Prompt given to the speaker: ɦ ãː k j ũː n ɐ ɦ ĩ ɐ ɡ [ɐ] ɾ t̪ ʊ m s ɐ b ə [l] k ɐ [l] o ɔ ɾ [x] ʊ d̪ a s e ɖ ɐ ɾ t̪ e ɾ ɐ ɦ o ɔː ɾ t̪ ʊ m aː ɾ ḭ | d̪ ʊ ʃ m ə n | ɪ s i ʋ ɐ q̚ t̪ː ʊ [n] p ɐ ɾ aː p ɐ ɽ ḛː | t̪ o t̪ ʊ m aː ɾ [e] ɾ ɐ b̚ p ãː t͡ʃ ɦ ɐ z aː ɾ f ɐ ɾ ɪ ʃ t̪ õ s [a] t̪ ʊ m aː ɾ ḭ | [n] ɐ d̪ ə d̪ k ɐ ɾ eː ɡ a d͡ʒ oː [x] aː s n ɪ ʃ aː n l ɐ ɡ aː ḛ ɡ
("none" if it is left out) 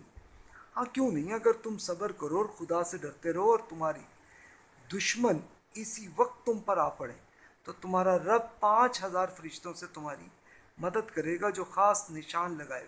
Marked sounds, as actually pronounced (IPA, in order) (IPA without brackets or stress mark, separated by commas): ə, ɾ, ɾ, x, m, a, e, m, x